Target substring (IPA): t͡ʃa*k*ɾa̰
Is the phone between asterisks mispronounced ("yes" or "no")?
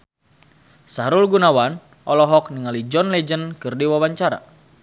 yes